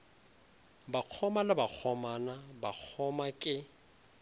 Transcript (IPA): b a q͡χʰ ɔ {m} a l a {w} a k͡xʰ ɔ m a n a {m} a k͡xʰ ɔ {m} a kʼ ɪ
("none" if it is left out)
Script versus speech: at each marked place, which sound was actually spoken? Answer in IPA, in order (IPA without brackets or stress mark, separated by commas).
m, b, b, m